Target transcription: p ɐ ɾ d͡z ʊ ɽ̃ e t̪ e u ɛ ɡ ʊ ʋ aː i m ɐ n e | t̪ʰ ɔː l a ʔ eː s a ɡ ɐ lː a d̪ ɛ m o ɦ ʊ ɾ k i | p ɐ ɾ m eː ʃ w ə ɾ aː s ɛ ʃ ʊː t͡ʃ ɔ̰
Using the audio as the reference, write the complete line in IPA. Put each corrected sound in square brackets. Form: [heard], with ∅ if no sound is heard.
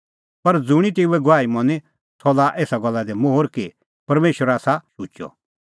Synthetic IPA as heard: p ɐ ɾ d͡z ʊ ɽ̃ [i] t̪ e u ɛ ɡ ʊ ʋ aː i m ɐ n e | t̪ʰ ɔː l a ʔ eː s a ɡ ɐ lː a d̪ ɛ m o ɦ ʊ ɾ k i | p ɐ ɾ m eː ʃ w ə ɾ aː s [a] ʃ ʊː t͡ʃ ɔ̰